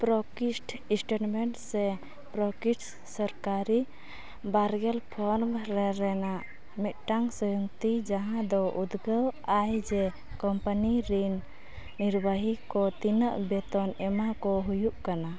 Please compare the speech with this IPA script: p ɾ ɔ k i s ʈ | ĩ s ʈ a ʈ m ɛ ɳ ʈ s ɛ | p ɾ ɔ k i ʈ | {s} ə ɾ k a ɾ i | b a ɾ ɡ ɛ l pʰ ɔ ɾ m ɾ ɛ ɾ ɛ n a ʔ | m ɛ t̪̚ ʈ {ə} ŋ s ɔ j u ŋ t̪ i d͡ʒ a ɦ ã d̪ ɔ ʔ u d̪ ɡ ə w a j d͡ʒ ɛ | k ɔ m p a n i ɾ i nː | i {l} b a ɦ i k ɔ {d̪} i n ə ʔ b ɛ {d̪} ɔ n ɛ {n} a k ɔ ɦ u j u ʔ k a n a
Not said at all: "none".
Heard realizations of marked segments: s, a, ɾ, t̪, t̪, m

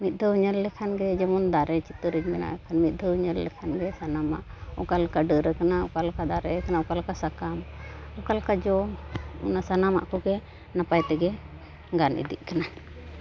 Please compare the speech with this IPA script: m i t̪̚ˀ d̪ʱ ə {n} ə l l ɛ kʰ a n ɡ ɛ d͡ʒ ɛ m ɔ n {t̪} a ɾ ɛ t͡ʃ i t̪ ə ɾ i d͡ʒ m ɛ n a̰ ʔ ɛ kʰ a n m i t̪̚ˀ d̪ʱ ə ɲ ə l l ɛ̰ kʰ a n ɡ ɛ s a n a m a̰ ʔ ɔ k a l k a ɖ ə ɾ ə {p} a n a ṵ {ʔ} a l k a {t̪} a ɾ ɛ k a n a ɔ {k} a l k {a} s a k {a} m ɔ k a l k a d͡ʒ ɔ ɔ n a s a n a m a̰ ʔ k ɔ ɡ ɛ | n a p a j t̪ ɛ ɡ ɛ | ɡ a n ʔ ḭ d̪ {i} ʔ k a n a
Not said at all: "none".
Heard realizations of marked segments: ɲ, d̪, k, k, d̪, k, a, a, i

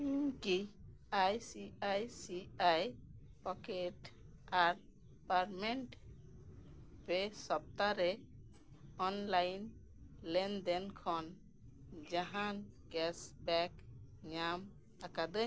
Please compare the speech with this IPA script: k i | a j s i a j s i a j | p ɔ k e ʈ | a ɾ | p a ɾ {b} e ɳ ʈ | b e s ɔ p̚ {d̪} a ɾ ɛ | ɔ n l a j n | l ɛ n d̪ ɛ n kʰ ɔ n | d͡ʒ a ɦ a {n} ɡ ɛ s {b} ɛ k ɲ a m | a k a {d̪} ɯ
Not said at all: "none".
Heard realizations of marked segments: m, t̪, n, b, d̪

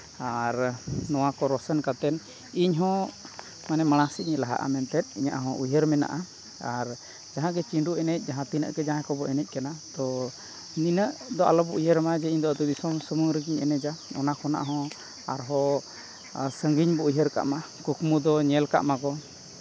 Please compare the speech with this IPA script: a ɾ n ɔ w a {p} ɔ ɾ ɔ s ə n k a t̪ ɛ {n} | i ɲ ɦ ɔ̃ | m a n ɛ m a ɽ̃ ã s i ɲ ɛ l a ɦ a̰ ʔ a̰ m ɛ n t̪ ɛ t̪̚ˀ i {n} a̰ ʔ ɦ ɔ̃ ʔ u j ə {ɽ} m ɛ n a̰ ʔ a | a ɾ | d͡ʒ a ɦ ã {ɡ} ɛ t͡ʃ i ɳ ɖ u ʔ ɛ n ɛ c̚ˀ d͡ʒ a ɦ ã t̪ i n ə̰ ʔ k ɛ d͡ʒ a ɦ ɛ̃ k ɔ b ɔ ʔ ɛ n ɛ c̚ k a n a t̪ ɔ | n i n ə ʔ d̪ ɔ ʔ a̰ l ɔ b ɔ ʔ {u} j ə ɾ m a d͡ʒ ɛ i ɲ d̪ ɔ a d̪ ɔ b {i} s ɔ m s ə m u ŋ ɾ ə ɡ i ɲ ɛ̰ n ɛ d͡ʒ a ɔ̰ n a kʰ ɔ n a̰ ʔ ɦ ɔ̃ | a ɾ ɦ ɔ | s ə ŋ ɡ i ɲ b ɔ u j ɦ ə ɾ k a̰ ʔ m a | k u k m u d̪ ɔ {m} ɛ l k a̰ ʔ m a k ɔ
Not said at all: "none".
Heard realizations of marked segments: k, n, ɲ, ɾ, ɡ, u, i, ɲ

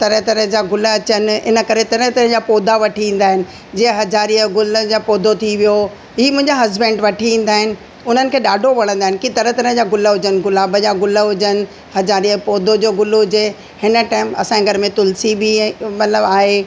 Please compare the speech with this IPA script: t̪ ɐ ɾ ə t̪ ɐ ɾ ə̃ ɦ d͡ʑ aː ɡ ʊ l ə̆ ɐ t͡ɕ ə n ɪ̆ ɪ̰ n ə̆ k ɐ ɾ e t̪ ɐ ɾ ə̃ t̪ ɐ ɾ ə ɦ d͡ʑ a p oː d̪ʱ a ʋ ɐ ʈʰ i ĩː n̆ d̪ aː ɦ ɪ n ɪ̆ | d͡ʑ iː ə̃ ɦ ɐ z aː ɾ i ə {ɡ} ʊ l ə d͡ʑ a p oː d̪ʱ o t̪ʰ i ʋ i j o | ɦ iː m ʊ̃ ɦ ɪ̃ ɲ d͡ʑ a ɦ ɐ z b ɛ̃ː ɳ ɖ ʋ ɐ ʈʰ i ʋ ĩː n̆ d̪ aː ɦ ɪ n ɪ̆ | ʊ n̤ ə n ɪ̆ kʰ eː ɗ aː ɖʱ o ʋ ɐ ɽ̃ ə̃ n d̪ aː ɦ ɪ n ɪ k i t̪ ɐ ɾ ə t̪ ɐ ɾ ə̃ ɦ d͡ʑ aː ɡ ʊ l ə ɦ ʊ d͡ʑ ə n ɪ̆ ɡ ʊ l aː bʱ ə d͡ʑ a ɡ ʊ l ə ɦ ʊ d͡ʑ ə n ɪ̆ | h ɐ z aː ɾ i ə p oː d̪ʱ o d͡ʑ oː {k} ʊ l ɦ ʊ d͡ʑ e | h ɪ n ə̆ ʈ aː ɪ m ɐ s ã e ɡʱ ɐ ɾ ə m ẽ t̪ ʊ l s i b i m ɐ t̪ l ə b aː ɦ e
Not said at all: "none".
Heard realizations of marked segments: ɡ, ɡ

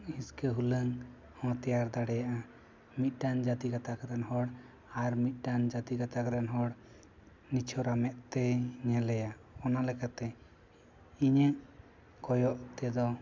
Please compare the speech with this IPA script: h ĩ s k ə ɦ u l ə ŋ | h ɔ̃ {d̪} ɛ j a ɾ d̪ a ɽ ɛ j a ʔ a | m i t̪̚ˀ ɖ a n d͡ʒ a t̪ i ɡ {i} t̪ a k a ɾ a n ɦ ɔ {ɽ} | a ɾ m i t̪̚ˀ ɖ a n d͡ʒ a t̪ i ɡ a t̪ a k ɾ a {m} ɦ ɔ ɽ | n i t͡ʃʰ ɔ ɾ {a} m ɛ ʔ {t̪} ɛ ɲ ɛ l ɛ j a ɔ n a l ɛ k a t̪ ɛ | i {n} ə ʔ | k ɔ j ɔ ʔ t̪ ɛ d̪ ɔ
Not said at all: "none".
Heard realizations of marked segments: t̪, a, ɽ, n, a, t̪, ɲ

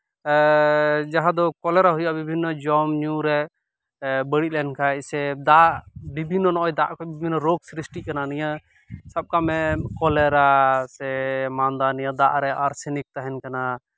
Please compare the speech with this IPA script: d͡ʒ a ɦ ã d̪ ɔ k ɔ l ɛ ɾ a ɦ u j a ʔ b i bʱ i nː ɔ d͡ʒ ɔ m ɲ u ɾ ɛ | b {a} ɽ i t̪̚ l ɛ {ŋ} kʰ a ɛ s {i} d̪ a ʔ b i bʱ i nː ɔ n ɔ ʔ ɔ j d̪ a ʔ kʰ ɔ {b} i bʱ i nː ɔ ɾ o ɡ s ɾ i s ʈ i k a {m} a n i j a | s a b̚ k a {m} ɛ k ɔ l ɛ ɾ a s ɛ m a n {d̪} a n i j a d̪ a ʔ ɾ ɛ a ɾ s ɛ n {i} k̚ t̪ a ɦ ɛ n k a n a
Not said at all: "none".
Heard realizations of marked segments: ə, n, ɛ, b, n, m, d̪, i

